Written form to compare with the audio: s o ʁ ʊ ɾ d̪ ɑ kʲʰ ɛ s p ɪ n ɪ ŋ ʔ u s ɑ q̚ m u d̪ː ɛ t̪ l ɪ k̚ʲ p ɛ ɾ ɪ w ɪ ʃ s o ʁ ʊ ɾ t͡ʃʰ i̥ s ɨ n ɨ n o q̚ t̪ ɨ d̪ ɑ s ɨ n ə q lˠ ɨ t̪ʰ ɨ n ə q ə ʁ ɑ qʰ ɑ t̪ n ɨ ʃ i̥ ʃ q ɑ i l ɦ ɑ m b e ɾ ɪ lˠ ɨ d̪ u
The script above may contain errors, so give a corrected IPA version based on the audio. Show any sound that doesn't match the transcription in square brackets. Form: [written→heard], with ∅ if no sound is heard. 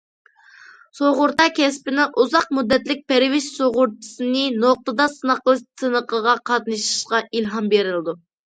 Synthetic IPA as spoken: s o ʁ ʊ ɾ [d̪→t̪] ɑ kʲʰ ɛ s p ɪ n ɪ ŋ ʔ u [s→z] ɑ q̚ m u d̪ː ɛ t̪ l ɪ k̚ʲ p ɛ ɾ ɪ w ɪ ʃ s o ʁ ʊ ɾ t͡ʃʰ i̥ s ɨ n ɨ n o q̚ t̪ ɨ d̪ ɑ s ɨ n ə q lˠ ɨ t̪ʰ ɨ n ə q ə ʁ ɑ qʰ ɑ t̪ n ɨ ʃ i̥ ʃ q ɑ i l ɦ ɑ m b e ɾ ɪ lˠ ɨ d̪ u